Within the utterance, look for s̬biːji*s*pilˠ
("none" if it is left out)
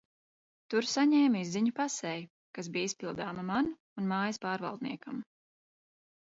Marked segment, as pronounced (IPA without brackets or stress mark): s